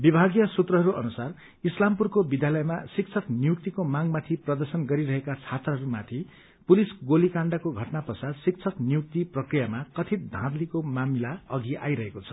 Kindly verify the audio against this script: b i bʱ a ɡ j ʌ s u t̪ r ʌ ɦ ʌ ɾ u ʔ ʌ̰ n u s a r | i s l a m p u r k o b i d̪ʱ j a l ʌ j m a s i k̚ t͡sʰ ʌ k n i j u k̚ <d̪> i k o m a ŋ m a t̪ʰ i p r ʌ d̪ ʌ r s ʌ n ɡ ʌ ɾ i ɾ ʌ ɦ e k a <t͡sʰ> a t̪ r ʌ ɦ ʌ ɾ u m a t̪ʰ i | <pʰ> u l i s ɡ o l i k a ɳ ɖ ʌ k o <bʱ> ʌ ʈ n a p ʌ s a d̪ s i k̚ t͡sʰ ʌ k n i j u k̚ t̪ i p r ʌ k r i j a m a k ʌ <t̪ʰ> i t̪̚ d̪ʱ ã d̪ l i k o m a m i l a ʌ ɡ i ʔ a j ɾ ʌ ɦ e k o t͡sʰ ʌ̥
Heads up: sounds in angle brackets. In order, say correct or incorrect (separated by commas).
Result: incorrect, correct, incorrect, incorrect, correct